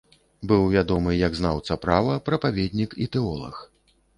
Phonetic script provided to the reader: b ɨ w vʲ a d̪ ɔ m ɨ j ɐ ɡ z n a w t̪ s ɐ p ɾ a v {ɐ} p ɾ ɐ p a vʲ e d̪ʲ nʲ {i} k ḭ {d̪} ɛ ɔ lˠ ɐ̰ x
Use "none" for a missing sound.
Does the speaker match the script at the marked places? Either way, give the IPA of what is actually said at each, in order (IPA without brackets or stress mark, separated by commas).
ɐ, i, t̪